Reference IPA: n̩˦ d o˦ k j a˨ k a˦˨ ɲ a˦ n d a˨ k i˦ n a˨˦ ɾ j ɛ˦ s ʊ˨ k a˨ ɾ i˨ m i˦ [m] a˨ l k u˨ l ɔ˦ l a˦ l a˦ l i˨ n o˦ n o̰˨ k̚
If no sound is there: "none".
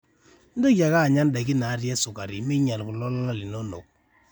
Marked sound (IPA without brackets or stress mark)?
ɲ